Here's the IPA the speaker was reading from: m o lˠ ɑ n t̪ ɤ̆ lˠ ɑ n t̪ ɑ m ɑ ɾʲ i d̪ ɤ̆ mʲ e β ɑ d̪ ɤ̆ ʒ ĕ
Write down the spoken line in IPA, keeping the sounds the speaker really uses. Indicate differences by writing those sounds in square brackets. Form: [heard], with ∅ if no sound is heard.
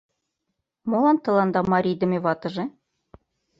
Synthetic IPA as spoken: m o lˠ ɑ n t̪ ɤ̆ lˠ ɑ n [d̪] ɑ m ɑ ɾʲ i d̪ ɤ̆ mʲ e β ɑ [t̪] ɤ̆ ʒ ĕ